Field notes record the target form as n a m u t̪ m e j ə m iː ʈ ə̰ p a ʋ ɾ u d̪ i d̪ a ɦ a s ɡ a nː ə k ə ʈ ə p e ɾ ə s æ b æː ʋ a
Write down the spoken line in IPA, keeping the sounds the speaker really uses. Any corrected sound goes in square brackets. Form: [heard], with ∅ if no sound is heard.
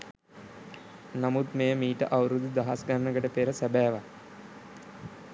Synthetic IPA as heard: n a m u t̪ m e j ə m iː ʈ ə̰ [ʔ] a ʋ ɾ u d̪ i d̪ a ɦ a s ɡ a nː ə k ə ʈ ə p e ɾ ə s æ b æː ʋ a